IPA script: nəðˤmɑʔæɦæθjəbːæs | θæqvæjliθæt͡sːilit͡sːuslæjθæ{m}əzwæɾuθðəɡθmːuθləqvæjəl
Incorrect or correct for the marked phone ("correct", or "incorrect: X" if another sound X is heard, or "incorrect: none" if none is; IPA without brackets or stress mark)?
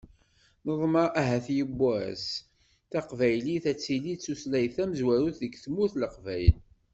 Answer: correct